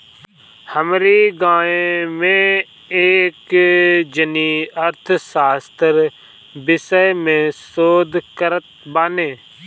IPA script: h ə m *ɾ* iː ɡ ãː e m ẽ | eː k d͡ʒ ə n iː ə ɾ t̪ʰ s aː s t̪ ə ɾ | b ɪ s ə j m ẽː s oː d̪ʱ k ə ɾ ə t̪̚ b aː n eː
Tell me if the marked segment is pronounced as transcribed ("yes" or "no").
yes